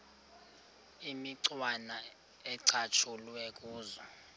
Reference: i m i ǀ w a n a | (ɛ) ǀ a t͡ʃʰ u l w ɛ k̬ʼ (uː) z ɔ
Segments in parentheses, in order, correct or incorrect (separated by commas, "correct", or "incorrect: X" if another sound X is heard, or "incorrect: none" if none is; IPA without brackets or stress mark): correct, correct